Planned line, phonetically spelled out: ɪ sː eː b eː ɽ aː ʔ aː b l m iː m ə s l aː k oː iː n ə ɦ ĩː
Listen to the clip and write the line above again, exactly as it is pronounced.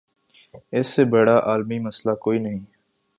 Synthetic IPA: ɪ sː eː b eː ɽ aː ʔ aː l m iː m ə s l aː k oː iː n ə ɦ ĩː

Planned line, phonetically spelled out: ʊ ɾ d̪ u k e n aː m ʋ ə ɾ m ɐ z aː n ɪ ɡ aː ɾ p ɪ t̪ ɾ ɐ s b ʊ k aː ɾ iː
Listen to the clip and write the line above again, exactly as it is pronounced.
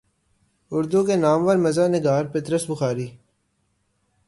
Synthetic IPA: ʊ ɾ d̪ u k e n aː m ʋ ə ɾ m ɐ z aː n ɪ ɡ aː ɾ p ɪ t̪ ɾ ə s b ʊ x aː ɾ iː

